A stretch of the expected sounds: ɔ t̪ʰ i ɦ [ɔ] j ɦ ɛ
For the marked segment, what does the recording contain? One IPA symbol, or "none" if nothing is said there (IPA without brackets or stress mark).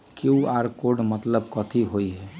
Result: o